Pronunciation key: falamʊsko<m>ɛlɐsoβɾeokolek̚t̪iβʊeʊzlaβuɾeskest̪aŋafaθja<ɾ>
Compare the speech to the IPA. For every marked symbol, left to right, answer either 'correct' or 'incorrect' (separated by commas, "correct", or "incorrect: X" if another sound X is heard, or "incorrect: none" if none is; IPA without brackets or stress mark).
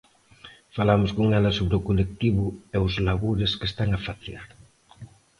incorrect: ŋ, correct